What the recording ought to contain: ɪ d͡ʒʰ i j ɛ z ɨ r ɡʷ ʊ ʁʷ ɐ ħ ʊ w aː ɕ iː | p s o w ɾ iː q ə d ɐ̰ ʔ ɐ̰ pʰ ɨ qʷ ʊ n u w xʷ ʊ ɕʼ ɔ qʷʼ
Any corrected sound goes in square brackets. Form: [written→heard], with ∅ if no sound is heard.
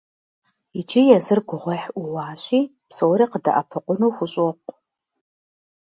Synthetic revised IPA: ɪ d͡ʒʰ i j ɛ z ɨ r ɡʷ ʊ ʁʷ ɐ ħ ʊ w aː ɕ iː | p s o w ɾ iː q ə d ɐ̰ ʔ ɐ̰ pʰ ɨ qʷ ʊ n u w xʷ ʊ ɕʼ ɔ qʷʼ